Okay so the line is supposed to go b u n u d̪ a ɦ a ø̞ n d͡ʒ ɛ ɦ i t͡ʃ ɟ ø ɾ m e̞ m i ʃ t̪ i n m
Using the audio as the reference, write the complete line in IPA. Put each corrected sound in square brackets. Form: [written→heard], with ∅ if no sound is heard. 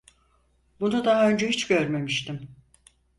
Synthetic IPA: b u n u d̪ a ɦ a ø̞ n d͡ʒ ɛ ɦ i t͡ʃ ɟ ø ɾ m e̞ m i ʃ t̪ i [n→∅] m